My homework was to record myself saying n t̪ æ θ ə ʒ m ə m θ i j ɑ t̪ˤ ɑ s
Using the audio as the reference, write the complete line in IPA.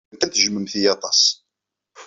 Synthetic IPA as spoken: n t̪ æ θ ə ʒ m ə m θ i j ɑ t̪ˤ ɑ s